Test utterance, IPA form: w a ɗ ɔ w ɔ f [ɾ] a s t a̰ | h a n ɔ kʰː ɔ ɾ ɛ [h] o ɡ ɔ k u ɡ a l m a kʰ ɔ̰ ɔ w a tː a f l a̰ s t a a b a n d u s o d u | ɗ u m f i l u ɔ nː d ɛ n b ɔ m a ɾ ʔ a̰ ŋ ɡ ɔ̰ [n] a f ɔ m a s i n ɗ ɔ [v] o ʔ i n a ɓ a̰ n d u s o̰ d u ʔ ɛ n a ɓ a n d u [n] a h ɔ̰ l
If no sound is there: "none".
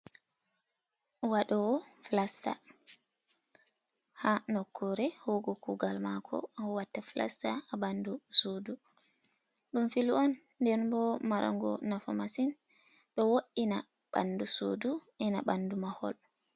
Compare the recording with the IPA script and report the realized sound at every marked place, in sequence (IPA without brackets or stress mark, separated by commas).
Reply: l, h, n, w, m